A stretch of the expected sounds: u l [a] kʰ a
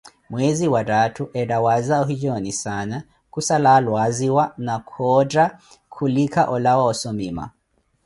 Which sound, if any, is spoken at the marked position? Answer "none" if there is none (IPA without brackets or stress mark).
i